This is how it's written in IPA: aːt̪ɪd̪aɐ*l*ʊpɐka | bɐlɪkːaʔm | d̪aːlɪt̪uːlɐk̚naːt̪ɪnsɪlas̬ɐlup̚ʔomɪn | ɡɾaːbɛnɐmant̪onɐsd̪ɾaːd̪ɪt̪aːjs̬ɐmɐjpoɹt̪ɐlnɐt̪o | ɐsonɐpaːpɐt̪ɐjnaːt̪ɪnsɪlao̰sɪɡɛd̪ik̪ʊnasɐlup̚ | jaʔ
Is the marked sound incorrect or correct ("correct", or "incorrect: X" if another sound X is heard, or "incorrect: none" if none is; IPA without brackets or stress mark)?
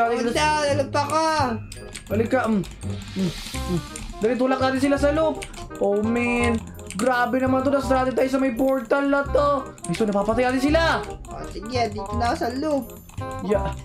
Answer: correct